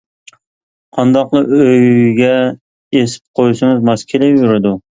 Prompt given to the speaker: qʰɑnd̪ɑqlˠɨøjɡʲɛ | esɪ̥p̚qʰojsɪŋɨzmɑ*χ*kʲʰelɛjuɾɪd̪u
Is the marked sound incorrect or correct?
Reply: incorrect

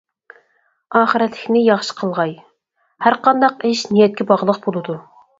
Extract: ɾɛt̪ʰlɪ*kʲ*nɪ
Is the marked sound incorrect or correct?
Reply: correct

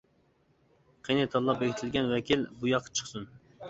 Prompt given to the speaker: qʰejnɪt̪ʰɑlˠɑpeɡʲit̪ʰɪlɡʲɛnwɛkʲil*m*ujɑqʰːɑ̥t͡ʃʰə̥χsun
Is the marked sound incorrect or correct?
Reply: incorrect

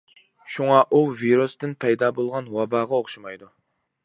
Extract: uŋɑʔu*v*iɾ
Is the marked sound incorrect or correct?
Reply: correct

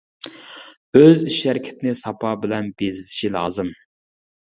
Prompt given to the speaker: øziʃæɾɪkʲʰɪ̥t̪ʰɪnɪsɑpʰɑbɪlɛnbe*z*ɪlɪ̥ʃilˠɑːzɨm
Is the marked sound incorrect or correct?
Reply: correct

